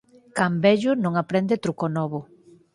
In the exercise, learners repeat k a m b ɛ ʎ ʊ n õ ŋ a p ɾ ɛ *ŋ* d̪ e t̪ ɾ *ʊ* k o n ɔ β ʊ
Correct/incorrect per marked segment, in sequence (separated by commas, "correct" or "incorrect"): incorrect, incorrect